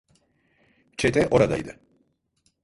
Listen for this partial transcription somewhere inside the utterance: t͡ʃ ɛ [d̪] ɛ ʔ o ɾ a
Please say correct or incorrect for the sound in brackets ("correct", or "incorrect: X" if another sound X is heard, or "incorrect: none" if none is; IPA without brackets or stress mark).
incorrect: t̪